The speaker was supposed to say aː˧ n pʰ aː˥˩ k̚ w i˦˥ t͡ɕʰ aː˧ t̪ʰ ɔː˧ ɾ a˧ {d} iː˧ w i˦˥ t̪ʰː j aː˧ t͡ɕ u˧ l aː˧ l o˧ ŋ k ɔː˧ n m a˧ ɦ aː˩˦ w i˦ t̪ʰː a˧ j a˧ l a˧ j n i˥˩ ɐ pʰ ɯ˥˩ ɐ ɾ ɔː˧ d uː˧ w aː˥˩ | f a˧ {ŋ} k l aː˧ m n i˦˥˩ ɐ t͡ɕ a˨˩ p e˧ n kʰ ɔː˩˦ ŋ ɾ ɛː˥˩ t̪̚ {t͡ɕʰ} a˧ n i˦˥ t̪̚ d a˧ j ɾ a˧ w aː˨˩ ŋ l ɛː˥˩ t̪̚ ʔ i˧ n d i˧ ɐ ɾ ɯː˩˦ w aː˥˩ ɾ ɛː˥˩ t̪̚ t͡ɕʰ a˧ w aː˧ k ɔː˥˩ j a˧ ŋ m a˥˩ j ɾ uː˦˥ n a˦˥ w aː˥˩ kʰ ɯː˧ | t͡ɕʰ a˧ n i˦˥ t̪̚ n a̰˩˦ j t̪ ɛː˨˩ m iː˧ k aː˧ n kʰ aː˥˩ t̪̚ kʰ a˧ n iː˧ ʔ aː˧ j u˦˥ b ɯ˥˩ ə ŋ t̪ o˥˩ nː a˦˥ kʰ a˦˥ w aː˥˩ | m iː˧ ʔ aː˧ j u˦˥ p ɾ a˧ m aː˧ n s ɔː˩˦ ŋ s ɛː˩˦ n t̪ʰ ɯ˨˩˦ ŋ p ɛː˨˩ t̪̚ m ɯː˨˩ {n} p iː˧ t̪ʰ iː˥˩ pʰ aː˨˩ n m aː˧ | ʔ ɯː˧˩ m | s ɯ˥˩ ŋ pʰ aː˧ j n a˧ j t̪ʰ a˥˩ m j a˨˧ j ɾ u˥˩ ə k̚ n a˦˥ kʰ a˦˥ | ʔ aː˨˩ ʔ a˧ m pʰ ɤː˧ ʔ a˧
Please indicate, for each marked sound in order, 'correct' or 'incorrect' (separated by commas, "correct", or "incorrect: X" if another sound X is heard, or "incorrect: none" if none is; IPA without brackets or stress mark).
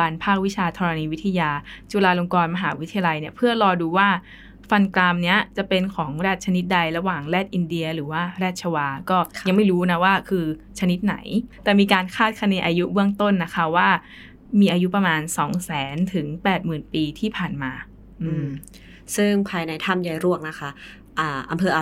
incorrect: n, incorrect: n, correct, correct